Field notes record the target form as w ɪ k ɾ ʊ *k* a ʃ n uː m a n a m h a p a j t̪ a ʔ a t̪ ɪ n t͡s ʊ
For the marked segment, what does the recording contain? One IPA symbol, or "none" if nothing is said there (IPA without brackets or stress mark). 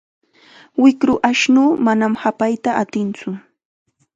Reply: ʔ